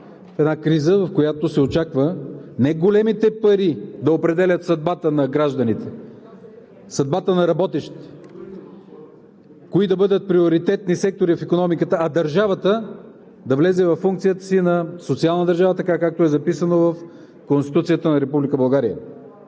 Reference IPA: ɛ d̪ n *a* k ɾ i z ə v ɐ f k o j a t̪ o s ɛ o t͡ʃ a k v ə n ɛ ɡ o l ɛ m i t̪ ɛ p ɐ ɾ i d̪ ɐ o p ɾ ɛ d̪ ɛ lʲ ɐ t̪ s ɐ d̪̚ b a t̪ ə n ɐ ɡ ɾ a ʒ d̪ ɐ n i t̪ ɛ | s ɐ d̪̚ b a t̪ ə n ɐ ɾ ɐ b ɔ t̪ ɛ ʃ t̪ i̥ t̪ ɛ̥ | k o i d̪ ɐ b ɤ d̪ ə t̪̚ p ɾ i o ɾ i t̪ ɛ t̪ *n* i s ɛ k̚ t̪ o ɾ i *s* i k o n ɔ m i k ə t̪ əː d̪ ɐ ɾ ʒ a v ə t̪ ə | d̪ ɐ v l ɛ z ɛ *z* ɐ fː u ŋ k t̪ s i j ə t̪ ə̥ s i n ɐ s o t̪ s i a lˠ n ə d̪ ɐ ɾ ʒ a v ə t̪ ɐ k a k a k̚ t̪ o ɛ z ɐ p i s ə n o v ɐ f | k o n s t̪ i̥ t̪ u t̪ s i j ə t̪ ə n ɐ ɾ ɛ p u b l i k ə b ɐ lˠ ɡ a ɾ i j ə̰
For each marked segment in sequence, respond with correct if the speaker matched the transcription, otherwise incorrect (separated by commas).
correct, correct, incorrect, incorrect